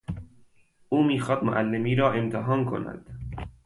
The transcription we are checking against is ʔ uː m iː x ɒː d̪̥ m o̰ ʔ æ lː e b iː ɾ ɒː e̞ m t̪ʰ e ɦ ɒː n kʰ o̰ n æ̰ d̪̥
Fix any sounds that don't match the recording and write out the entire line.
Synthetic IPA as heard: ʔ uː m iː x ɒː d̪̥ m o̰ ʔ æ lː e m iː ɾ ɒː e̞ m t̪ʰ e ɦ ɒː n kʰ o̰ n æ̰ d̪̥